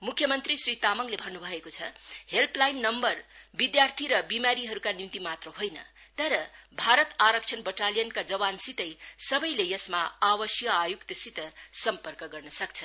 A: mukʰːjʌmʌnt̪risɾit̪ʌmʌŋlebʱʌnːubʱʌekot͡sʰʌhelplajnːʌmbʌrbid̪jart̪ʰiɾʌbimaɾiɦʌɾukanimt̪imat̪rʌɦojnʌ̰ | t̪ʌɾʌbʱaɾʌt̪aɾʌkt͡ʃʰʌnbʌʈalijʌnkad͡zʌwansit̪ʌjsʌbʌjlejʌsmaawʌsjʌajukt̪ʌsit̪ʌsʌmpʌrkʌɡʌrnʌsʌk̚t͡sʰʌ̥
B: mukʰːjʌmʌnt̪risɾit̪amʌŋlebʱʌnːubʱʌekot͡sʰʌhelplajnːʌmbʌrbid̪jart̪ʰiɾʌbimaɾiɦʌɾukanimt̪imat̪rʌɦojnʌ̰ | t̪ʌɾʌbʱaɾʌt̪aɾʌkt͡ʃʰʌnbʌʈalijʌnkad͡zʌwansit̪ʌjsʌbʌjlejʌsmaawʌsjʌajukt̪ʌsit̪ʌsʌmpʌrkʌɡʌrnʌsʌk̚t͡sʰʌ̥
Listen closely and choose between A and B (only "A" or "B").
B